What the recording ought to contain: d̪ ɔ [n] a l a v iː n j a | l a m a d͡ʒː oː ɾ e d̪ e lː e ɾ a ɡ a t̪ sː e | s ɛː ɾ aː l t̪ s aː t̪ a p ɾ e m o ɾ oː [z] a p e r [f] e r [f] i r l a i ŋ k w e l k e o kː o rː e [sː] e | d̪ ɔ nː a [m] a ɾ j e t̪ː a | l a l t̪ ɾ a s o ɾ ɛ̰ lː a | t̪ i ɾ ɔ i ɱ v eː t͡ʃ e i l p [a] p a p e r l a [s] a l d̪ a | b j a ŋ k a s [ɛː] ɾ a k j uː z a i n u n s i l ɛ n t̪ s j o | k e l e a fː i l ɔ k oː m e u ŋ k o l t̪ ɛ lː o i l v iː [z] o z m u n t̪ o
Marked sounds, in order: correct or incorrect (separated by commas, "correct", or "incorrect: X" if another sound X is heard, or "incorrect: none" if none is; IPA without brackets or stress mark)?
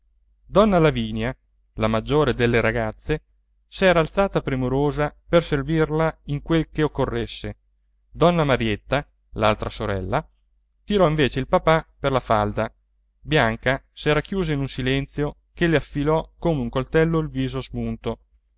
incorrect: nː, correct, incorrect: s, incorrect: v, correct, correct, correct, incorrect: f, correct, correct